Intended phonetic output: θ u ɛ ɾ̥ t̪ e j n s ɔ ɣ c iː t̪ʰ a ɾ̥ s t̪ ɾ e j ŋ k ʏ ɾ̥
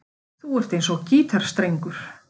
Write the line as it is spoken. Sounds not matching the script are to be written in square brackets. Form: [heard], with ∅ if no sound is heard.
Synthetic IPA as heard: θ u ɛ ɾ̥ t̪ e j n s ɔ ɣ c iː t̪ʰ a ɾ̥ s t̪ ɾ e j ŋ k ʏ ɾ̥